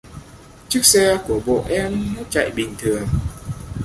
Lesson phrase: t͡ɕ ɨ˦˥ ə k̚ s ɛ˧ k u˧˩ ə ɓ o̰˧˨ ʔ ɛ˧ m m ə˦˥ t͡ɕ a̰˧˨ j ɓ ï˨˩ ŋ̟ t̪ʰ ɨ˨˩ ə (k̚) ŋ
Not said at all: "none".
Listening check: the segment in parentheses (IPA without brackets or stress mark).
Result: none